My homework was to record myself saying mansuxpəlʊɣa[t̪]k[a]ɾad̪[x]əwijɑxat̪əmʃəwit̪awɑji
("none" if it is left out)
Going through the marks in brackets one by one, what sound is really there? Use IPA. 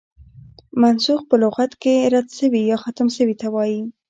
t̪, e, ʃ

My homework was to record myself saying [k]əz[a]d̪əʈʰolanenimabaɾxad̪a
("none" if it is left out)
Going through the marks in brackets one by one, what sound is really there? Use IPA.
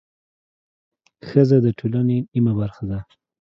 x, a

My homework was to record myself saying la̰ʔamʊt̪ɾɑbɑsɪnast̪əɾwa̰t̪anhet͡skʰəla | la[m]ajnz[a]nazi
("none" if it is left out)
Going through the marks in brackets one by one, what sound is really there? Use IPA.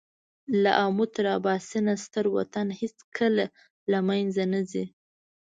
m, a

